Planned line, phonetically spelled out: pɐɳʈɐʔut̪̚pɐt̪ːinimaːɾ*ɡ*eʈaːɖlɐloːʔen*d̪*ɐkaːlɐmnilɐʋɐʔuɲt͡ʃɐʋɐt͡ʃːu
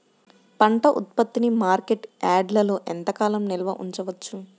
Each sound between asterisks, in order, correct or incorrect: incorrect, incorrect

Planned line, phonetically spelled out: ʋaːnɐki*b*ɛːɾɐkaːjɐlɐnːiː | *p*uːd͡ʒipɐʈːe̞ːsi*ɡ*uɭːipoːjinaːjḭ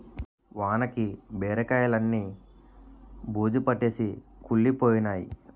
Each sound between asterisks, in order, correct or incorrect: correct, incorrect, incorrect

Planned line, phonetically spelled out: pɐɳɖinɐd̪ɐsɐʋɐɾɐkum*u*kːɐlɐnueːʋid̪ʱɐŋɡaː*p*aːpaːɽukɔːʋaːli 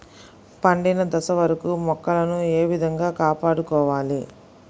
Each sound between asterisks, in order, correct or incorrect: incorrect, incorrect

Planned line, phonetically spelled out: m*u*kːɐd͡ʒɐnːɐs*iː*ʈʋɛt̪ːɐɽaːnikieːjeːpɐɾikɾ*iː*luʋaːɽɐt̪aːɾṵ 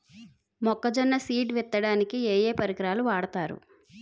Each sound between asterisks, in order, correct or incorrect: incorrect, correct, incorrect

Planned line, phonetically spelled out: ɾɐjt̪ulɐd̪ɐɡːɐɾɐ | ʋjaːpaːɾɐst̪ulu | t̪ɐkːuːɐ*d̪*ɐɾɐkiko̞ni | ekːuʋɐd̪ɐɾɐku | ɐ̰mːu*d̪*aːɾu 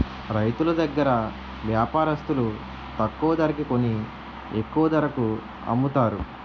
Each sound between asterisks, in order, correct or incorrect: correct, incorrect

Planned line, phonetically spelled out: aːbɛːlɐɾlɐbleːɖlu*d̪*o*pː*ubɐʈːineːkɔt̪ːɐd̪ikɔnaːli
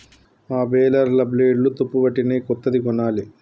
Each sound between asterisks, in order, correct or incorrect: incorrect, correct

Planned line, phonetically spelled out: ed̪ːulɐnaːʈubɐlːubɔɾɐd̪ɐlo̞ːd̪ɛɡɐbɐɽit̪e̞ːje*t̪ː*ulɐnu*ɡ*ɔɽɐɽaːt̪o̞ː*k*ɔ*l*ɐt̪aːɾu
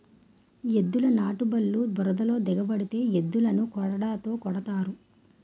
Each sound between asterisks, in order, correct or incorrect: incorrect, incorrect, correct, incorrect

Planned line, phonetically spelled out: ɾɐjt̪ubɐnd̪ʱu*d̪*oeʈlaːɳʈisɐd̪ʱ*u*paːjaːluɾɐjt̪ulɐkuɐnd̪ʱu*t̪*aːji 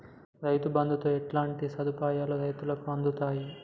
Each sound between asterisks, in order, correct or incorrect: incorrect, correct, correct

